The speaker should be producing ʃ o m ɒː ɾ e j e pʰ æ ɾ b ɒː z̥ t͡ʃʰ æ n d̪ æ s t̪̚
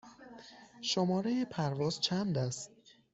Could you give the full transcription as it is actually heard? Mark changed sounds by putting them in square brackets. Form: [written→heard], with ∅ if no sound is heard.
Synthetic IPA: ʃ o m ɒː ɾ e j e pʰ æ ɾ [b→v] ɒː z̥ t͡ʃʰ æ n d̪ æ s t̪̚

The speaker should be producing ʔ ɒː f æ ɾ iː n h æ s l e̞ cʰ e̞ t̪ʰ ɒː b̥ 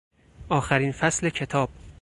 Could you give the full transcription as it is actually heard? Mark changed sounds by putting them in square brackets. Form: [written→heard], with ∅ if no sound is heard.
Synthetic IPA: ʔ ɒː [f→x] æ ɾ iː n [h→f] æ s l e̞ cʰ e̞ t̪ʰ ɒː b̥

